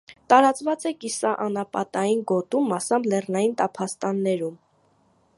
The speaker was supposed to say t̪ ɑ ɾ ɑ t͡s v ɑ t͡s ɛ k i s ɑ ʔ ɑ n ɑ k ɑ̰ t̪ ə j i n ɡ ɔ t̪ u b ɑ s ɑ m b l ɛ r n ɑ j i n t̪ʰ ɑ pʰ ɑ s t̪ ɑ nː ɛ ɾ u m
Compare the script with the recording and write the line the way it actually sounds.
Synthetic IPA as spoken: t̪ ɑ ɾ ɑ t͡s v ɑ t͡s ɛ k i s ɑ ʔ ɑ n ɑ p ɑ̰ t̪ ɑ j i n ɡ ɔ t̪ u m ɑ s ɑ m b l ɛ r n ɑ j i n t̪ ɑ pʰ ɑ s t̪ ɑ nː ɛ ɾ u m